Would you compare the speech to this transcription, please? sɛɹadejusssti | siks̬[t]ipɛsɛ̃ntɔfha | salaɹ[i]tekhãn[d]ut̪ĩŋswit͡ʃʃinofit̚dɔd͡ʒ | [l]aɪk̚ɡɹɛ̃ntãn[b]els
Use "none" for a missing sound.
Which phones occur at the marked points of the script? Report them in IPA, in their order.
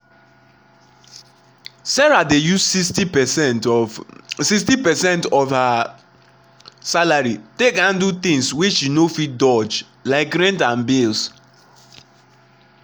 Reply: t, i, d, l, b

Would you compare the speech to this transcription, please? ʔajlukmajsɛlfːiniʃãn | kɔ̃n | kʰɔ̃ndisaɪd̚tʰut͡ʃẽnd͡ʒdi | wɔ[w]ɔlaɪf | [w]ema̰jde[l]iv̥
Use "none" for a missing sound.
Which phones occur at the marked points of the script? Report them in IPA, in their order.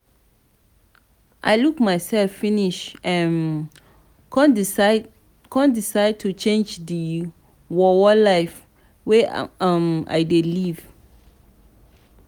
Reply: w, w, l

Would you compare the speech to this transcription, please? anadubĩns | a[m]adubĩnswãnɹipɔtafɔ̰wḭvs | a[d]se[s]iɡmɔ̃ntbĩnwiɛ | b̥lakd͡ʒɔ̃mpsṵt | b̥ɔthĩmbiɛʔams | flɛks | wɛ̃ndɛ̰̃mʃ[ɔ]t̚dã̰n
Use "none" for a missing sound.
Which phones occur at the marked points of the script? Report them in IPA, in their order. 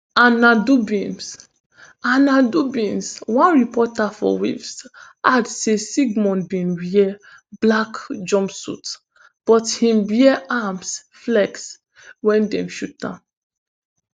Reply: n, d, s, u

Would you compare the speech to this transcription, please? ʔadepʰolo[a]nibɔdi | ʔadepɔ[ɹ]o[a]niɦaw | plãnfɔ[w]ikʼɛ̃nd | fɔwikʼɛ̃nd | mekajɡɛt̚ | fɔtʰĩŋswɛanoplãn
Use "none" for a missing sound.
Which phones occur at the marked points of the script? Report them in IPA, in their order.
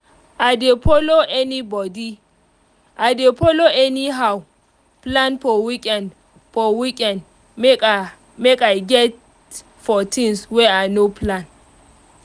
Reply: ɛ, l, ɛ, w

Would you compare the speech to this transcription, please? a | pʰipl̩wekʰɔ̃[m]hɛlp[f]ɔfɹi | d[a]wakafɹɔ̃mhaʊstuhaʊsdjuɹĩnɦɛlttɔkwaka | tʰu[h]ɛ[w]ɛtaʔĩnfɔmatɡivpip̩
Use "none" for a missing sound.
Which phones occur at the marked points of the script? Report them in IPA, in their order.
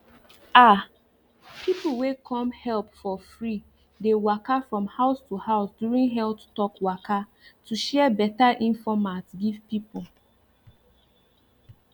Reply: m, f, e, ʃ, b

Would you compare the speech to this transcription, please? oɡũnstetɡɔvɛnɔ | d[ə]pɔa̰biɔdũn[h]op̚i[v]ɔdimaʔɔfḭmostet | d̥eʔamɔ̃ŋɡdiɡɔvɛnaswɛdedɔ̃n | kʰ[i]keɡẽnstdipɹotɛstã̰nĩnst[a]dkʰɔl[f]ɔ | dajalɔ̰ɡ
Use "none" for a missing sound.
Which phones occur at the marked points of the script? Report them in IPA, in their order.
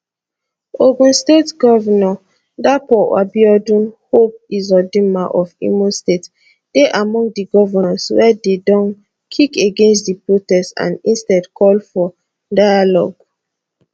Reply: a, h, z, i, ɛ, f

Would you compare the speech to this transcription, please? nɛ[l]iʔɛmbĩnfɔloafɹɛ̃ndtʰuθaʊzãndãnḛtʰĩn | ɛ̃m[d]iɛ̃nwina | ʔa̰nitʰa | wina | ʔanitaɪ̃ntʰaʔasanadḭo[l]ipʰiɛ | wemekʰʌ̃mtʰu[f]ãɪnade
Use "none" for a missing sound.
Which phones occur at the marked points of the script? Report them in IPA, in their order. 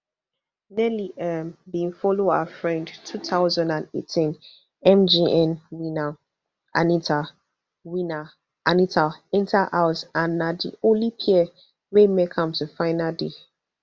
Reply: l, d͡ʒ, l, f

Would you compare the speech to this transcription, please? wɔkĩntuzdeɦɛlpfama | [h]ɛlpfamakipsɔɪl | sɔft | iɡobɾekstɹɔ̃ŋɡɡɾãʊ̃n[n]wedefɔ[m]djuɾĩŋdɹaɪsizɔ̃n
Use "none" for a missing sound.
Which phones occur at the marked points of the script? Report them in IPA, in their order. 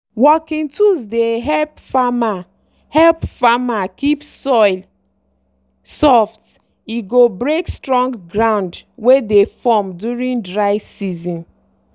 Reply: h, d, m

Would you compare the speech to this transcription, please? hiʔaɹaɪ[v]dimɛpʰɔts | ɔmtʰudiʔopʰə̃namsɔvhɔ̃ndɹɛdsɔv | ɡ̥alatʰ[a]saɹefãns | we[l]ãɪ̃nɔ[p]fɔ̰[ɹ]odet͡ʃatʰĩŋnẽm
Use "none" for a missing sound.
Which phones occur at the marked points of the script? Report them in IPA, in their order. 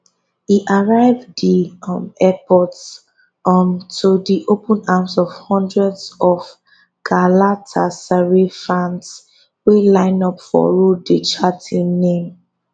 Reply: v, a, l, p, ɹ

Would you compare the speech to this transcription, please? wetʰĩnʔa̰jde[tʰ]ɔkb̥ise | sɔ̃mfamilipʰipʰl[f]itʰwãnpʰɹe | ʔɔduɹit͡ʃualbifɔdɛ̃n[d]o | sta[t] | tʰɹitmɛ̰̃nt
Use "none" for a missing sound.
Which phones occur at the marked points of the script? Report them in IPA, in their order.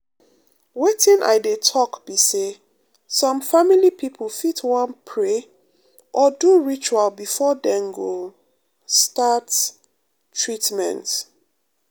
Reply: tʰ, f, ɡ, t

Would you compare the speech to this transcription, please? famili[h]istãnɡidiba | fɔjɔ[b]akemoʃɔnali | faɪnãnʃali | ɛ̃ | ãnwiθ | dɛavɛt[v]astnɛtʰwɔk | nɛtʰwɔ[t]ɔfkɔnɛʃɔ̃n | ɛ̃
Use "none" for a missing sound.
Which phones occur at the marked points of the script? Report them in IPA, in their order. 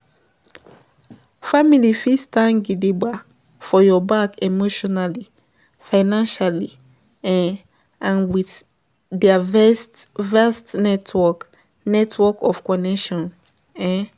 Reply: f, b, v, k

